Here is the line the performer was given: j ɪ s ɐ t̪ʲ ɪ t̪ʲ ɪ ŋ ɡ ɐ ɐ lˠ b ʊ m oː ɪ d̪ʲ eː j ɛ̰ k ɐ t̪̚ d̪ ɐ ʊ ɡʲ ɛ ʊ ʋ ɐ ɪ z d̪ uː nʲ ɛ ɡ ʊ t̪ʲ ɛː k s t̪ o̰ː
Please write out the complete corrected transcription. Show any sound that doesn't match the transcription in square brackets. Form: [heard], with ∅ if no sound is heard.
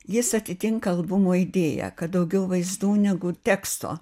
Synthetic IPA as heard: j ɪ s ɐ t̪ʲ ɪ t̪ʲ ɪ ŋ [k] ɐ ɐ lˠ b ʊ m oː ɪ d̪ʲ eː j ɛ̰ k ɐ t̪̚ d̪ ɐ ʊ ɡʲ ɛ ʊ ʋ ɐ ɪ z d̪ uː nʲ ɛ ɡ ʊ t̪ʲ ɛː k s t̪ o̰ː